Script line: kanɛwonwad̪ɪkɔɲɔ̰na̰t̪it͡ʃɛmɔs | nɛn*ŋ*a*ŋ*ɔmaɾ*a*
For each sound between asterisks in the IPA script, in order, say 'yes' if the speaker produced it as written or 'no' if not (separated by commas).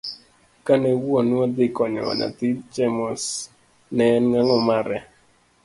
yes, yes, no